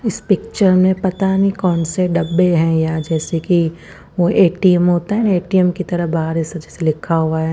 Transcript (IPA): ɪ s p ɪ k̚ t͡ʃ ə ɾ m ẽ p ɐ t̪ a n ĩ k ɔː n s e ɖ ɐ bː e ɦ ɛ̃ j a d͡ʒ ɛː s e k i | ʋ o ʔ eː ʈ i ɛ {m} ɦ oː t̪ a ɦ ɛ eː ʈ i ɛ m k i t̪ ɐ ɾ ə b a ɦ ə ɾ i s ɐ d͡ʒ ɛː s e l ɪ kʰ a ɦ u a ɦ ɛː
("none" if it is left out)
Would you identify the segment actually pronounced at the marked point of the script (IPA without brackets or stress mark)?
m